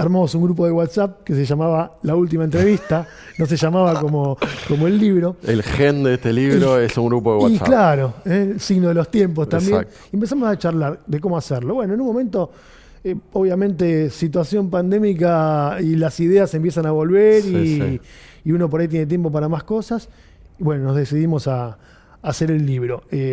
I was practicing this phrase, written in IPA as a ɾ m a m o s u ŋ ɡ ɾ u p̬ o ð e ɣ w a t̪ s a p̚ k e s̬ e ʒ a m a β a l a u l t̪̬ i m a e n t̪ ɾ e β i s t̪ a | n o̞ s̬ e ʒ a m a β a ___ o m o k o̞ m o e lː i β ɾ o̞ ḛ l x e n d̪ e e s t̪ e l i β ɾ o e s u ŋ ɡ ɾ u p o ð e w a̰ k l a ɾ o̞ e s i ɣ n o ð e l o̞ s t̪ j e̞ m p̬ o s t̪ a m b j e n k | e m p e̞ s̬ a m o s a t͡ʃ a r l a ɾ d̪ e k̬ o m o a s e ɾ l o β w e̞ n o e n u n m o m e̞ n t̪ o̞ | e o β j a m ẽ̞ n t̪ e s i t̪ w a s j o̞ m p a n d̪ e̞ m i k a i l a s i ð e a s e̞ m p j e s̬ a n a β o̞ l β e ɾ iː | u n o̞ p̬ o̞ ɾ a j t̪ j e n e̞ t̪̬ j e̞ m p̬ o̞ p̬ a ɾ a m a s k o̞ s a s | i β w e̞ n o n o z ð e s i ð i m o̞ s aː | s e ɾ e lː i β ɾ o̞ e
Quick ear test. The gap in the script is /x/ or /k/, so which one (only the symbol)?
k